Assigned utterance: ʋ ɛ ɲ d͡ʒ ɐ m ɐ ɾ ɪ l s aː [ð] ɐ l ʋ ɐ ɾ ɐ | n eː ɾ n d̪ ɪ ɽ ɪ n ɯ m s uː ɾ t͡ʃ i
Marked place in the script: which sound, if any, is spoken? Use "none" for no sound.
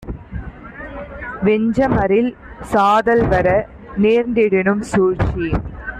ð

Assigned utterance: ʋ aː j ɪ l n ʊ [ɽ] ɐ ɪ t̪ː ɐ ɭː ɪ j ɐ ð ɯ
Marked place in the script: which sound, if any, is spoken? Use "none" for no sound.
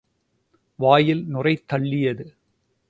r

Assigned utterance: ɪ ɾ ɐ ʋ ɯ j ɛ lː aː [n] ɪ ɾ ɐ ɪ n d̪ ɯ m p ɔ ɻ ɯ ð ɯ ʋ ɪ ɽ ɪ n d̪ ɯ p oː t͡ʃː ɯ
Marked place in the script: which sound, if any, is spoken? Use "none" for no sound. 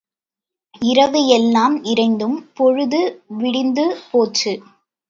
m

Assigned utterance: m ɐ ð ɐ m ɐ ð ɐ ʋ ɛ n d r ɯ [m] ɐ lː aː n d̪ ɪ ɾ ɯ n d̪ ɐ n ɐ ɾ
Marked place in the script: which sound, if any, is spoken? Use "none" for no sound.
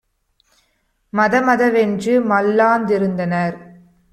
m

